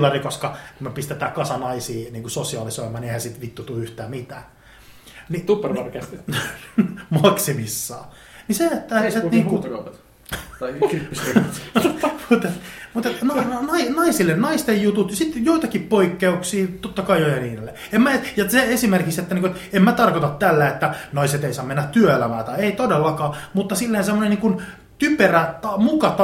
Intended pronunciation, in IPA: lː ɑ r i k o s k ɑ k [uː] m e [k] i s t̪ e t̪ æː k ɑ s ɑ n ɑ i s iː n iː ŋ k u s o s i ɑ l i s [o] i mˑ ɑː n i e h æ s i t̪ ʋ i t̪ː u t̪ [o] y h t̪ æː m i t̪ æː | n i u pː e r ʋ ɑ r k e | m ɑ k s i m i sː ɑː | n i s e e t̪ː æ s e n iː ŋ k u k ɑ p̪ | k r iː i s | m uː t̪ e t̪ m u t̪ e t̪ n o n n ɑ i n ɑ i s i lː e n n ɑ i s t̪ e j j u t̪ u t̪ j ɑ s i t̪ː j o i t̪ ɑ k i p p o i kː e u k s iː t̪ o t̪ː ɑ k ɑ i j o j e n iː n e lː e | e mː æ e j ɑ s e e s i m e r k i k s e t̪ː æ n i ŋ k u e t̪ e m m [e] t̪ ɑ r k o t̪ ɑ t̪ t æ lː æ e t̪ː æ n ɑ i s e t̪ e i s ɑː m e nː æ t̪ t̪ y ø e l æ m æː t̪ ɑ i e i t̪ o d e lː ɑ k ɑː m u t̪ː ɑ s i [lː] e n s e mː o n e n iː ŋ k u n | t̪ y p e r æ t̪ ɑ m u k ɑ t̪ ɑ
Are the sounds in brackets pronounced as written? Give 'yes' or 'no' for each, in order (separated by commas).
no, no, yes, no, no, yes